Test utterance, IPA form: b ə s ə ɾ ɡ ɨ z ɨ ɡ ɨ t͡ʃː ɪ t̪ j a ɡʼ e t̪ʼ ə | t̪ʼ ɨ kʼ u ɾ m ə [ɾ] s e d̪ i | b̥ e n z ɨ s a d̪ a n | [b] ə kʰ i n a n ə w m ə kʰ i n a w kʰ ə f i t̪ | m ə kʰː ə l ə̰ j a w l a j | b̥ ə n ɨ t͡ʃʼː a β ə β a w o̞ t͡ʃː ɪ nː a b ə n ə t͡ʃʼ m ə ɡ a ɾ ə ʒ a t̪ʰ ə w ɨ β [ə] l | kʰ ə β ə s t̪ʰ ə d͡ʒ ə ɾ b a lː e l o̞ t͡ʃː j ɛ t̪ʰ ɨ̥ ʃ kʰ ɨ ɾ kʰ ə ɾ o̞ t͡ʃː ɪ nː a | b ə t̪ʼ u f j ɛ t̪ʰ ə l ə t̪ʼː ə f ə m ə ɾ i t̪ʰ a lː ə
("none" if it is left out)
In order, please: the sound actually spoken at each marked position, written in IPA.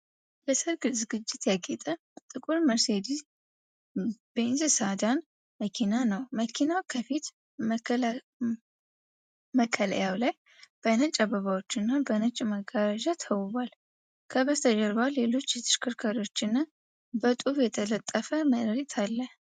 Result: ɾ, m, a

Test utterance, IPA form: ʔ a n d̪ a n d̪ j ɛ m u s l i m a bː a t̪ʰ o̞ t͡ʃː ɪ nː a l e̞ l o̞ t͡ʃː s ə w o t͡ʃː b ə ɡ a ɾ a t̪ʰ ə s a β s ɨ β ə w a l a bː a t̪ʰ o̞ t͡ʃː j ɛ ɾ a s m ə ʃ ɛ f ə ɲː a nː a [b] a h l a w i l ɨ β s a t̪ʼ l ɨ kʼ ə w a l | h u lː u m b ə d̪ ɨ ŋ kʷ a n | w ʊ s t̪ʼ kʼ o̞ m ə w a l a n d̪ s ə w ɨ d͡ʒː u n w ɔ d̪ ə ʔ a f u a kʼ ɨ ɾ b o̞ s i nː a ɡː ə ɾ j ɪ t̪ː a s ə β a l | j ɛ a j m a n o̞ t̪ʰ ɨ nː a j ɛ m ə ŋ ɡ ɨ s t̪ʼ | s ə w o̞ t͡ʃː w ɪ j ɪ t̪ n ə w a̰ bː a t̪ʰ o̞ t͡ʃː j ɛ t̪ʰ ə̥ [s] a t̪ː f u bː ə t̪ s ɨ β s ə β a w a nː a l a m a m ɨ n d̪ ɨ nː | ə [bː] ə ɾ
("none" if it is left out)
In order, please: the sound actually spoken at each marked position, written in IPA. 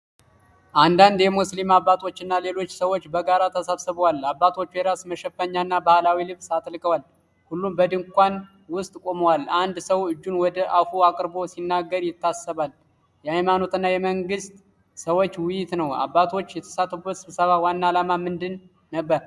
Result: b, s, bː

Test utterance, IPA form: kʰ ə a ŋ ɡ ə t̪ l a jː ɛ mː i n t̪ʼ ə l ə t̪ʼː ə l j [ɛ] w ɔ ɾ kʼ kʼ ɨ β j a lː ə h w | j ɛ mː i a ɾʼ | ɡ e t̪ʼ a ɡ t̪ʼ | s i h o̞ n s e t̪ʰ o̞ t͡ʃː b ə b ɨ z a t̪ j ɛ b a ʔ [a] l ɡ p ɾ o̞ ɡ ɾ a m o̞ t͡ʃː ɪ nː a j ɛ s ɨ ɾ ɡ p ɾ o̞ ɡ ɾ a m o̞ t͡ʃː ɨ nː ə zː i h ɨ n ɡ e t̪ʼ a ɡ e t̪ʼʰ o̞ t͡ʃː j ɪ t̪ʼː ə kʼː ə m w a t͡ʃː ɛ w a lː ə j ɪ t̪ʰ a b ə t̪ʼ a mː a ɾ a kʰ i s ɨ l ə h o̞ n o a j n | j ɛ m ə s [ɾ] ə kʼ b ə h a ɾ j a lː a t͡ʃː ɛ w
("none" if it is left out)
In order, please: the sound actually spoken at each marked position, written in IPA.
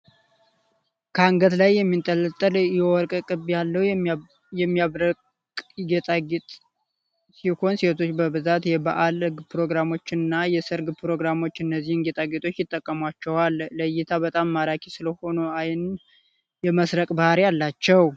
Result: ɛ, a, ɾ

